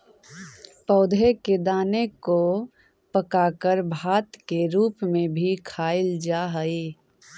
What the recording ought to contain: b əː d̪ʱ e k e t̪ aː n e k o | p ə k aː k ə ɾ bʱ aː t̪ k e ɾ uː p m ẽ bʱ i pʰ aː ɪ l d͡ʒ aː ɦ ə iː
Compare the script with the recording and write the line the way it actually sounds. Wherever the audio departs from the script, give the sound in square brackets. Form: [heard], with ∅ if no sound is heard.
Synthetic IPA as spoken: [p] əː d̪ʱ e k e [d̪] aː n e k o | p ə k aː k ə ɾ bʱ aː t̪ k e ɾ uː p m ẽ bʱ i [kʰ] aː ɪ l d͡ʒ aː ɦ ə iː